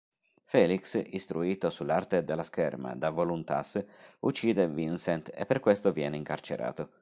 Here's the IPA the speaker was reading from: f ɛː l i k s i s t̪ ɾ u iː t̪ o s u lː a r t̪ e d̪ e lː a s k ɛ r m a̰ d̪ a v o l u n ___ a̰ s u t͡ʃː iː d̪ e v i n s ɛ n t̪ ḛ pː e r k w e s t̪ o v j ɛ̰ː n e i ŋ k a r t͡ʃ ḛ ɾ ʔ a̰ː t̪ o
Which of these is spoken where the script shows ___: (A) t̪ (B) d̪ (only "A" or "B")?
A